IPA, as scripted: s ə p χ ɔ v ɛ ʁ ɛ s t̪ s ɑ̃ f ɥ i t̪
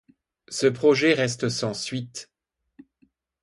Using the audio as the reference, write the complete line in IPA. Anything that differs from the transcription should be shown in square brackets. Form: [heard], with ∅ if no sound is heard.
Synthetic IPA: s ə p χ ɔ [ʒ] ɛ ʁ ɛ s t̪ s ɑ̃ [s] ɥ i t̪